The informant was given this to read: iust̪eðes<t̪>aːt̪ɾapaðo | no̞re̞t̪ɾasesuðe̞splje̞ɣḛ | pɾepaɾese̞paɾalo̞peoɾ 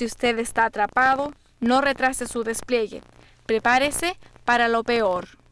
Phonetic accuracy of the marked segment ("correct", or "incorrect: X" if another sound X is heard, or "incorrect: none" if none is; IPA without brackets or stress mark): correct